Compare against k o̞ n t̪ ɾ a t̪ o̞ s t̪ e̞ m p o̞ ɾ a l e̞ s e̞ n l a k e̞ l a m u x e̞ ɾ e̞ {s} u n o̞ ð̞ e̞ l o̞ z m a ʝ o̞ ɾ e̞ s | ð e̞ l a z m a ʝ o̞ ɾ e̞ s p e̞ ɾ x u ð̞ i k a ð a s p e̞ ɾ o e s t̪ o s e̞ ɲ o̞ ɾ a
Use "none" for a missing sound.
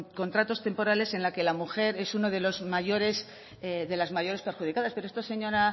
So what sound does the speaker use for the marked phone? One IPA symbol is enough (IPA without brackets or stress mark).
s